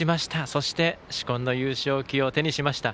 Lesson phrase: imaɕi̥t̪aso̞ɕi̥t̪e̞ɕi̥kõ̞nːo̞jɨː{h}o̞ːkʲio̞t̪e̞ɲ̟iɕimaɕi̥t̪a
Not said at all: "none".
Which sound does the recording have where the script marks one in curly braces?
ɕ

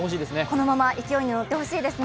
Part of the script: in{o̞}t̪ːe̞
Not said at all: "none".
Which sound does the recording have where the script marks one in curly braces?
o̞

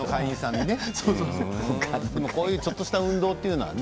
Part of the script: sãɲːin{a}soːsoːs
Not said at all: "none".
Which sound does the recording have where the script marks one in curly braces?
e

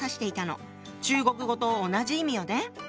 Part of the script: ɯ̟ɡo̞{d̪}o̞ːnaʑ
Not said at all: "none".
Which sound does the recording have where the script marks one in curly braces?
t̪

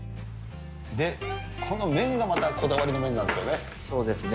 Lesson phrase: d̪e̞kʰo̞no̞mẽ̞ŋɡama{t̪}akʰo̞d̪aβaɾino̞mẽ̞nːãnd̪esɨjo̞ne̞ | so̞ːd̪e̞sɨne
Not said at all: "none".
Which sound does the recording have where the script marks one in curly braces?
t̪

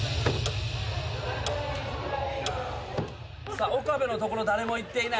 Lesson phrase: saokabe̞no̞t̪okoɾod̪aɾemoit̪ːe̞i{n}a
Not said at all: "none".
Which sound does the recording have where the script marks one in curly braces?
n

